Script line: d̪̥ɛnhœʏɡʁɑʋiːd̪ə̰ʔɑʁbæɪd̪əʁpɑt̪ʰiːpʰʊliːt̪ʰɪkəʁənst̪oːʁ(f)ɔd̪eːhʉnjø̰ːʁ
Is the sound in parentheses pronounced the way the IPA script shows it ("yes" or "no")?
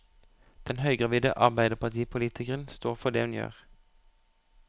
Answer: yes